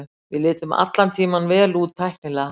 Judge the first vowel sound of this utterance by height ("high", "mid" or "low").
high